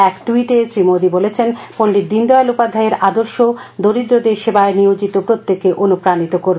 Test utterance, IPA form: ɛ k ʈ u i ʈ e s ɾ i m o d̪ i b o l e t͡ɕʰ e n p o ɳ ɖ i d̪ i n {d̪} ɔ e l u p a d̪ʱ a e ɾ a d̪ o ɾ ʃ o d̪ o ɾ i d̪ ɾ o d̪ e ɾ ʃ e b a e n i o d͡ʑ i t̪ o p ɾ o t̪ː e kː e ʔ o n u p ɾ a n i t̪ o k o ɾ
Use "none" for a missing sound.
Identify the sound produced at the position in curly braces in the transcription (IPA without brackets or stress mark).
d̪